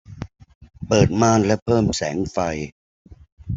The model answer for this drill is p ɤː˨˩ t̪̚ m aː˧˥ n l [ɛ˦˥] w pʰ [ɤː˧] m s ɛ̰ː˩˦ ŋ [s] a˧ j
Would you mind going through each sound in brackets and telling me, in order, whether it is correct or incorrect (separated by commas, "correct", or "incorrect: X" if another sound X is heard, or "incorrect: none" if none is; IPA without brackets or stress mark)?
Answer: correct, incorrect: ɤː˥˩, incorrect: f